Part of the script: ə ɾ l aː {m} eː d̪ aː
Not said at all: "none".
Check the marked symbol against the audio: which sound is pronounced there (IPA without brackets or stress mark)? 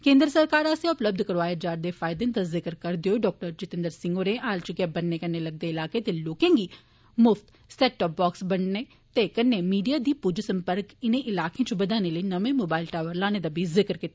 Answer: n